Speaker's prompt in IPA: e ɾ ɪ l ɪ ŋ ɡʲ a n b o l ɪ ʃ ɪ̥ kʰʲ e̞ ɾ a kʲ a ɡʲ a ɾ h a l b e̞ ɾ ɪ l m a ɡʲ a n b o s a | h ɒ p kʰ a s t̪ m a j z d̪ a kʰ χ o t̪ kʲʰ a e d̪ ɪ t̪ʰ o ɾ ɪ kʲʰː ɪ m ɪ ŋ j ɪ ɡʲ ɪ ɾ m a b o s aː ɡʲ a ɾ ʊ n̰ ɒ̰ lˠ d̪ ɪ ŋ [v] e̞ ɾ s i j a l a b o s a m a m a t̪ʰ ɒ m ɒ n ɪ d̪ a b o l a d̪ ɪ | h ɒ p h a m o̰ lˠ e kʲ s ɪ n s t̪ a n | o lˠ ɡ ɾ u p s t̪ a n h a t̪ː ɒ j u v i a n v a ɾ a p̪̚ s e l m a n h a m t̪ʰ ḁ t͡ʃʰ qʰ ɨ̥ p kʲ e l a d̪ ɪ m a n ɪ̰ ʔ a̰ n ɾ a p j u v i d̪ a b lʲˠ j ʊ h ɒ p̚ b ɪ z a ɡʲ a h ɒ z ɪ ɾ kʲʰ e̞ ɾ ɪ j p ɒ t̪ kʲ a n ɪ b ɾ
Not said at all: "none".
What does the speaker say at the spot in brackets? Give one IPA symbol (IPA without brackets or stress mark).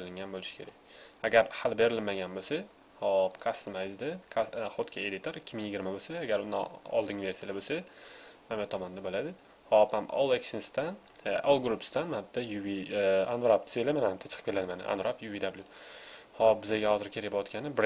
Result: v